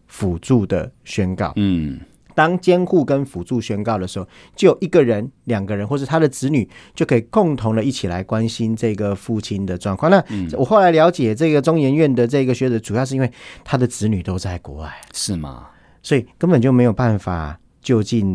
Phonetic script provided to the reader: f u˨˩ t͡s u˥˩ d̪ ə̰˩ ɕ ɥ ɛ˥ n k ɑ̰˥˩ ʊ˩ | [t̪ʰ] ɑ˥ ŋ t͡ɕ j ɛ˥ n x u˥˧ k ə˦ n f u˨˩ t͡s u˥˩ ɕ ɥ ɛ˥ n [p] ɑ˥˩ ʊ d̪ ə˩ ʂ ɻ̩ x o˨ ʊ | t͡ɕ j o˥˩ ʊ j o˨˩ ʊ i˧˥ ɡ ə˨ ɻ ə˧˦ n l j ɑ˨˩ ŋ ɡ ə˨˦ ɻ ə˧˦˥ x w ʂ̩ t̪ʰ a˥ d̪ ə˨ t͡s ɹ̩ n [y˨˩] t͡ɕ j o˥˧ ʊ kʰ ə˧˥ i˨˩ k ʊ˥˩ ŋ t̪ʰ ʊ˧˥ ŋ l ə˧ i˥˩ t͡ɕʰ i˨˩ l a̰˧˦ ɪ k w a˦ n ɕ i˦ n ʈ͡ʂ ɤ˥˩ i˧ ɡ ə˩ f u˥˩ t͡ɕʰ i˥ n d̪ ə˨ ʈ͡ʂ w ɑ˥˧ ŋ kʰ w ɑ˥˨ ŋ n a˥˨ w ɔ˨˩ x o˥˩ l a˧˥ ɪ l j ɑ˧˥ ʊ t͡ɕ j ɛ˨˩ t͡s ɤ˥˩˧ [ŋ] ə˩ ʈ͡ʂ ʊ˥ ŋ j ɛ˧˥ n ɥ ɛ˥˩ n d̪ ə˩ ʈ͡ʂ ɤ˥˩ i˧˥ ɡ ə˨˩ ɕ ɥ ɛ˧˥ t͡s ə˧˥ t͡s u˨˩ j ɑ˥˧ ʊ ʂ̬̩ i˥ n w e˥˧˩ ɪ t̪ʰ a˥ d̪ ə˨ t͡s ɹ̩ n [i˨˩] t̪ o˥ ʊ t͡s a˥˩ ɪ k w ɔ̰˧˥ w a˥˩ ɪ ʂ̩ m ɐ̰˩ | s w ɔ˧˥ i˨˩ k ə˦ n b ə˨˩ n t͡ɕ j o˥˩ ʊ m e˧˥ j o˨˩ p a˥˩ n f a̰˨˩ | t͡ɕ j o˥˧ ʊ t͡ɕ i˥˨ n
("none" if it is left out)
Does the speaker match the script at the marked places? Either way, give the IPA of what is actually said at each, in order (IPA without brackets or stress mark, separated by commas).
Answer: t̪, k, y˨˩, ɡ, y˨˩